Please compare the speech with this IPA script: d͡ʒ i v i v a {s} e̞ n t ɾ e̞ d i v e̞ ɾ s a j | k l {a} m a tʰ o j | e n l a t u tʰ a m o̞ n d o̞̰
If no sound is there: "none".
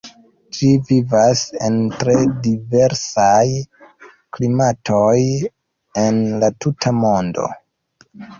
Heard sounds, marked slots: s, i

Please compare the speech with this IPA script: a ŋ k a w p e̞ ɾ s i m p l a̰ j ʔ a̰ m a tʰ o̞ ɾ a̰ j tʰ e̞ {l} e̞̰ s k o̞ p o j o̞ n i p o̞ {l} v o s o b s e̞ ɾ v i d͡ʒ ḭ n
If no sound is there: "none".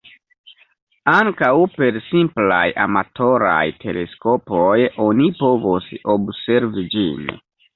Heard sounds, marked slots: l, none

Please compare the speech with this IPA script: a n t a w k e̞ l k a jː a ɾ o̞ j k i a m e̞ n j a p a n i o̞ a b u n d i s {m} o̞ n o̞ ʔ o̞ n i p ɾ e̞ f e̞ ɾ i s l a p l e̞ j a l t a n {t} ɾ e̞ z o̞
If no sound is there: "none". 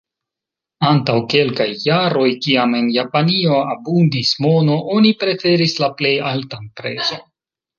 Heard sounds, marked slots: m, p

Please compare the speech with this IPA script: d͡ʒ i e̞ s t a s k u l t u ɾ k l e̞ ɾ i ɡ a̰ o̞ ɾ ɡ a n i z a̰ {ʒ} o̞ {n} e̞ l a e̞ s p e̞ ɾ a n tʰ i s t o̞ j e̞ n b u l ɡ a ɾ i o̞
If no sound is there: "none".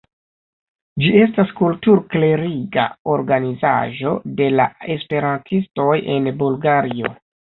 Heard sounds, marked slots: ʒ, d

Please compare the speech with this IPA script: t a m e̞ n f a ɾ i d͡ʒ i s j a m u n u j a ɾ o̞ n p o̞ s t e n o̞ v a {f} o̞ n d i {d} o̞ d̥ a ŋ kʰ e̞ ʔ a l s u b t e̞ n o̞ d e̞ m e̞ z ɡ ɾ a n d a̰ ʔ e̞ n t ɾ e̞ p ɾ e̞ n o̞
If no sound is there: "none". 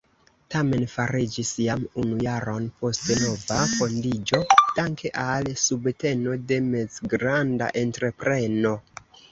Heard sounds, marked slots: f, d͡ʒ

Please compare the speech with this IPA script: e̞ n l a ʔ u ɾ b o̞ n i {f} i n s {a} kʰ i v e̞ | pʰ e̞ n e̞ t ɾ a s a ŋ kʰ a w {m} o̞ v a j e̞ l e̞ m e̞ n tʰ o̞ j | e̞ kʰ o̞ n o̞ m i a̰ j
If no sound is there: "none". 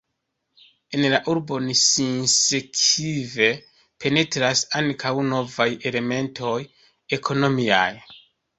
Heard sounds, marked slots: s, e, n

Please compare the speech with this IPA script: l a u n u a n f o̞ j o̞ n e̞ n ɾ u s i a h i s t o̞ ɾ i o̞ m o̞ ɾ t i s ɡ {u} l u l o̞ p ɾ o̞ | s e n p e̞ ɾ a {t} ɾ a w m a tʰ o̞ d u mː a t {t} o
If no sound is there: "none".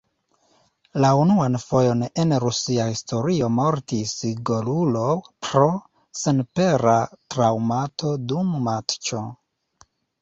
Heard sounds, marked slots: o, t, t͡ʃ

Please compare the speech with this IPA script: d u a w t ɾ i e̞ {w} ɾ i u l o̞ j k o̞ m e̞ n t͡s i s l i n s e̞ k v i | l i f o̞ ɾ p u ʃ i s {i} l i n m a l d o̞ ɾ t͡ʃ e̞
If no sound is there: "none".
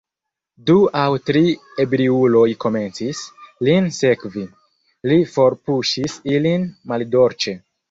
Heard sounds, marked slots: b, i

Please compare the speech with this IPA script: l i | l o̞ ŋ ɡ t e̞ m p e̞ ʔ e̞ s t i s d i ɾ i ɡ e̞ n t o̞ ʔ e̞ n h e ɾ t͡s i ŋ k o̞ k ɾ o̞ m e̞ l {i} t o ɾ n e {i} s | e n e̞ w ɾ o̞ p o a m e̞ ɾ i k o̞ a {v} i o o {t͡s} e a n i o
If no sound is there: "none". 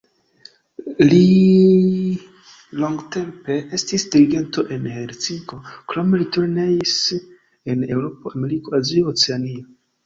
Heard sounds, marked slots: i, i, z, t͡s

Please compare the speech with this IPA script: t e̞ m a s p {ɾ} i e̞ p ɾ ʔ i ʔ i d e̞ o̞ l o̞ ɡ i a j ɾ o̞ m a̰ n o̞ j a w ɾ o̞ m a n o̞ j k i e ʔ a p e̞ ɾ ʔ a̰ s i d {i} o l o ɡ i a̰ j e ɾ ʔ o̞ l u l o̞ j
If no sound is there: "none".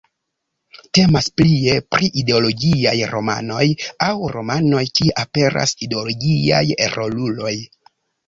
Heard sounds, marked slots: l, e

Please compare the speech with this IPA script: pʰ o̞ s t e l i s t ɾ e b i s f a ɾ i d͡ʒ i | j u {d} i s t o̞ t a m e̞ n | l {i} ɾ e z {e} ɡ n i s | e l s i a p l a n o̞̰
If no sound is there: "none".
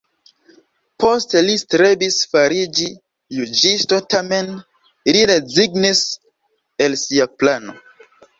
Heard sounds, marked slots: d͡ʒ, i, i

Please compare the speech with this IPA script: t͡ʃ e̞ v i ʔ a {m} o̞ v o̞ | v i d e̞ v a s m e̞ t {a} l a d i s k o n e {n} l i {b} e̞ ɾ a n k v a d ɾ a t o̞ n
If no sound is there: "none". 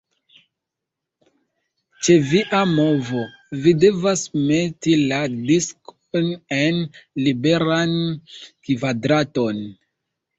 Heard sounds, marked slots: m, i, n, b

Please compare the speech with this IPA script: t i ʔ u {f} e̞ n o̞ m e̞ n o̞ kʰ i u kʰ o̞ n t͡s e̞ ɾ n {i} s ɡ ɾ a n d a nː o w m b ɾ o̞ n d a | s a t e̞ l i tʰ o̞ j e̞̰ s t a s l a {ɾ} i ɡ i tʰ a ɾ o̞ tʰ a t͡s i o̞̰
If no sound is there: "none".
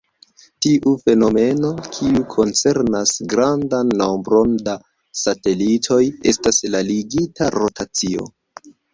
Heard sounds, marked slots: f, a, l

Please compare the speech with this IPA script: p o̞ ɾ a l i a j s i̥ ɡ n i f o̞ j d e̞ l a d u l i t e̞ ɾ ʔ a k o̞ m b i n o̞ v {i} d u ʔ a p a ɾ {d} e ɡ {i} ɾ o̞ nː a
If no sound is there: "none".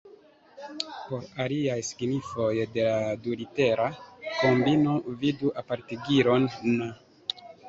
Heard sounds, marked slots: i, t, i

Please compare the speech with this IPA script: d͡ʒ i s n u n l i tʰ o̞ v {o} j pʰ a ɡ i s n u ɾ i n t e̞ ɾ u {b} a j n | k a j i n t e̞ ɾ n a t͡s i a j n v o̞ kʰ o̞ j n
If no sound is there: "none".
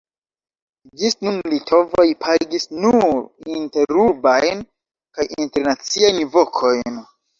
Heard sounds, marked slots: o, b

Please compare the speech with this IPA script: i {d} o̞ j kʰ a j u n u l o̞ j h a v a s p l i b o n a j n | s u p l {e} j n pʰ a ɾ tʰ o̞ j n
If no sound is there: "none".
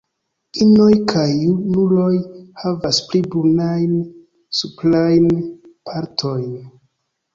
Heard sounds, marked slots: n, a

